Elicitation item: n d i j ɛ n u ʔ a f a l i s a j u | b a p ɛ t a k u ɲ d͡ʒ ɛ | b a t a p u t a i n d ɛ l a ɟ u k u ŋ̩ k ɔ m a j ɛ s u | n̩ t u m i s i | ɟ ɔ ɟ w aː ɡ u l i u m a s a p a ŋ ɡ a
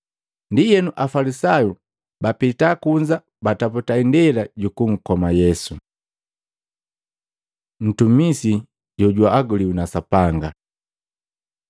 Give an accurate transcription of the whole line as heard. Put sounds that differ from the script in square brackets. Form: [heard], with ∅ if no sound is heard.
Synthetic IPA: n d i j ɛ n u ʔ a f a l i s a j u | b a p [i] t a k u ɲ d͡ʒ [a] | b a t a p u t a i n d ɛ l a ɟ u k u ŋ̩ k ɔ m a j ɛ s u | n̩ t u m i s i | ɟ ɔ ɟ w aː ɡ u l i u [n] a s a p a ŋ ɡ a